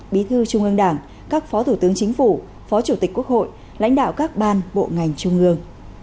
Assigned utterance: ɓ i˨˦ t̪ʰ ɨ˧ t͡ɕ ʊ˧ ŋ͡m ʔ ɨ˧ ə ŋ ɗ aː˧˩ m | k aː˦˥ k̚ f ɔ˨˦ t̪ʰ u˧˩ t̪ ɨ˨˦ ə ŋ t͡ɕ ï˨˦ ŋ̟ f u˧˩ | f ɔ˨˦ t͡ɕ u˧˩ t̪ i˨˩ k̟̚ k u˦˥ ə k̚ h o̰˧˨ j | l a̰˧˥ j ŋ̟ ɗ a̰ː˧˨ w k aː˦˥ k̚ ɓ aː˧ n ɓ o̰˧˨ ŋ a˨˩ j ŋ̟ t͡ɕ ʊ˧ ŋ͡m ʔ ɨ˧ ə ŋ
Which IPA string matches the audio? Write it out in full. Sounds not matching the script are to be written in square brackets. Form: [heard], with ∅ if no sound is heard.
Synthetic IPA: ɓ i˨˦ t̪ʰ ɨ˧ t͡ɕ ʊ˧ ŋ͡m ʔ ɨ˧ ə ŋ ɗ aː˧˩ [ŋ] | k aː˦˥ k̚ f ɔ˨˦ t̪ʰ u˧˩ t̪ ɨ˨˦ ə ŋ t͡ɕ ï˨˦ ŋ̟ f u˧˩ | f ɔ˨˦ t͡ɕ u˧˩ t̪ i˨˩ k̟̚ k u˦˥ ə k̚ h o̰˧˨ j | l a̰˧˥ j ŋ̟ ɗ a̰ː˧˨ w k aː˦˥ k̚ ɓ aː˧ n ɓ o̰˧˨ ŋ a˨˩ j ŋ̟ t͡ɕ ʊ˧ ŋ͡m ʔ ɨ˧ ə ŋ